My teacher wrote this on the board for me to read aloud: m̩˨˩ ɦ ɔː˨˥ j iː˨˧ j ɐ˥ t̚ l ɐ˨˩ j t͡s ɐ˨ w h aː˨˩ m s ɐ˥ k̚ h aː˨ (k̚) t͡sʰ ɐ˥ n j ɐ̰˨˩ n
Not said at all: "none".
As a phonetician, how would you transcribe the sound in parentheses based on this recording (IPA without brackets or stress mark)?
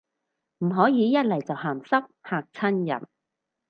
k̚